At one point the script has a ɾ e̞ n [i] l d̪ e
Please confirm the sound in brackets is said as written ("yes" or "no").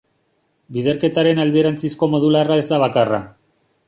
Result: no